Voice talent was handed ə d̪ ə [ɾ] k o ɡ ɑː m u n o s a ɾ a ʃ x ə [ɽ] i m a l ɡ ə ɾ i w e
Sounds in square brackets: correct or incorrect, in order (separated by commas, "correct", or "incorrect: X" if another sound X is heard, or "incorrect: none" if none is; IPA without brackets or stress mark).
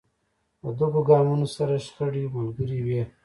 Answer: incorrect: none, correct